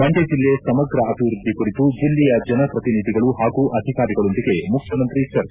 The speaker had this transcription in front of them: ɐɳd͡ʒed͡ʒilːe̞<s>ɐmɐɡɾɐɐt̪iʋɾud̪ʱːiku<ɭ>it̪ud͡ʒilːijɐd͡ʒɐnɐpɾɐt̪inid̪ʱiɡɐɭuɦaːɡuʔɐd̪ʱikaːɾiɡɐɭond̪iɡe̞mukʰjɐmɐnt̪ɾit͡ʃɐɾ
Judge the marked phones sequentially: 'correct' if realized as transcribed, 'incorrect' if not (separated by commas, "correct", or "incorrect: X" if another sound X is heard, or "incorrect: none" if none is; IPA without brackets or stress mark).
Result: correct, incorrect: ɽ